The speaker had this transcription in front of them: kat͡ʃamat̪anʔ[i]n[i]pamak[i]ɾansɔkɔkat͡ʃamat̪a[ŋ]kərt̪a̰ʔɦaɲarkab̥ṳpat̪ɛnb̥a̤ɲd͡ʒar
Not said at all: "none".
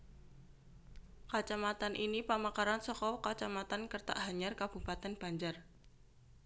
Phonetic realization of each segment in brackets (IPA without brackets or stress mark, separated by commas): i, i, a, n